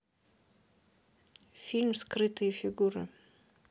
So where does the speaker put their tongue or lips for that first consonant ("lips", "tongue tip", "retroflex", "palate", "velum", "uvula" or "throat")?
lips